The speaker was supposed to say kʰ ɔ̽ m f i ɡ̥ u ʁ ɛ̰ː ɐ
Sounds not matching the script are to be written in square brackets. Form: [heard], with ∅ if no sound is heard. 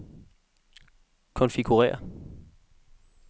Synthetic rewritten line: kʰ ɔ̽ [n] f i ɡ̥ u ʁ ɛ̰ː ɐ